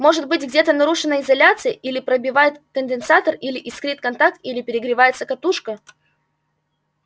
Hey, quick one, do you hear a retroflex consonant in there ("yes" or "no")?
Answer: yes